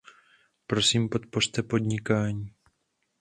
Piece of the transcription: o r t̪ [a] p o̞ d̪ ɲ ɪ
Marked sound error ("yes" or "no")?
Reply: yes